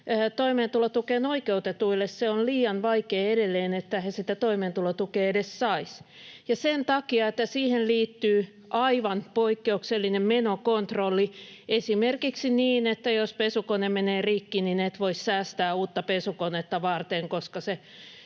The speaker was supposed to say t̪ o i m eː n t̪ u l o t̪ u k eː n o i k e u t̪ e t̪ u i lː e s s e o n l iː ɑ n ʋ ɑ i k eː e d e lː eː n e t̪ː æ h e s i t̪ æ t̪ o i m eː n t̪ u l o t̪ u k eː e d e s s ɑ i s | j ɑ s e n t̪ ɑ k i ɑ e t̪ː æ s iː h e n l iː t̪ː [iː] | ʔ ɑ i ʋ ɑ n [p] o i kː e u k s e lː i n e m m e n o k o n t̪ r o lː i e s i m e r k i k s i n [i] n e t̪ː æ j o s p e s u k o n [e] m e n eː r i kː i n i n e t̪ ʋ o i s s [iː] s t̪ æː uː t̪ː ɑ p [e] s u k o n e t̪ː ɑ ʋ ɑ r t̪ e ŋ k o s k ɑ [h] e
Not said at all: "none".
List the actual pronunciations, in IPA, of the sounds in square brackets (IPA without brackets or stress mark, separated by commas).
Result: yː, p, iː, e, æː, e, s